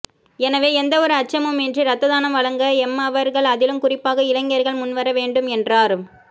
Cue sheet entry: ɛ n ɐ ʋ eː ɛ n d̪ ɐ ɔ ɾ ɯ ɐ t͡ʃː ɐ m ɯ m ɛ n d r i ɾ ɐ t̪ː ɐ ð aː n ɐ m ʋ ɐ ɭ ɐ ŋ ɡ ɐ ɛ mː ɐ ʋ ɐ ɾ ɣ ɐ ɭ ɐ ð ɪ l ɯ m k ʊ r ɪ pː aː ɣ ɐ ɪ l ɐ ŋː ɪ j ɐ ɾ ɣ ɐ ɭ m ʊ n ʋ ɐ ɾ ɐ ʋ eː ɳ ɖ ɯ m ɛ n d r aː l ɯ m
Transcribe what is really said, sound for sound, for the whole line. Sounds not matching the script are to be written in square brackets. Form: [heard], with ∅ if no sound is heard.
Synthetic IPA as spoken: ɛ n ɐ ʋ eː ɛ n d̪ ɐ ɔ ɾ ɯ ɐ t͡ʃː ɐ m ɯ m ɛ n d r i ɾ ɐ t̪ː ɐ ð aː n ɐ m ʋ ɐ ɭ ɐ ŋ ɡ ɐ ɛ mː ɐ ʋ ɐ ɾ ɣ ɐ ɭ ɐ ð ɪ l ɯ m k ʊ r ɪ pː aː ɣ ɐ ɪ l ɐ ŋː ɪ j ɐ ɾ ɣ ɐ ɭ m ʊ n ʋ ɐ ɾ ɐ ʋ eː ɳ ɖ ɯ m ɛ n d r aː [ɾ] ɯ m